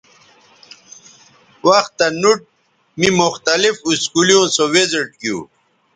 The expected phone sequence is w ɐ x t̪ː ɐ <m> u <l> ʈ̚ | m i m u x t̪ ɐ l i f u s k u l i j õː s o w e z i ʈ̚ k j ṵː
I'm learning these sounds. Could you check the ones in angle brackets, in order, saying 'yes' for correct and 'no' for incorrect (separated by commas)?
no, no